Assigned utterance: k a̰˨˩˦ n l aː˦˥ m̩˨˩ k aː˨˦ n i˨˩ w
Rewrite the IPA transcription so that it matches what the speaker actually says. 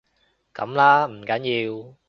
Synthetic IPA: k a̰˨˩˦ m l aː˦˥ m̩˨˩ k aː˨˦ ɲ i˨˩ w